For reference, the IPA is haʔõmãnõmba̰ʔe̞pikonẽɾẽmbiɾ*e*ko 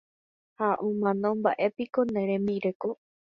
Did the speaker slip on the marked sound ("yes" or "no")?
no